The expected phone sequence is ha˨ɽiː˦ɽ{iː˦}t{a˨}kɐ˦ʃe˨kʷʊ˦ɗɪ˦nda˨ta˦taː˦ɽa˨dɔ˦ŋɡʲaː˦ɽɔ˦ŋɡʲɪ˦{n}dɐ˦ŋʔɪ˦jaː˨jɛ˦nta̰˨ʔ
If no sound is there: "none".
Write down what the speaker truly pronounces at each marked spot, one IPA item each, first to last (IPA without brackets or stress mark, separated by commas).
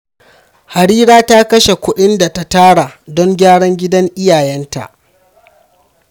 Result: aː˦, a˦, none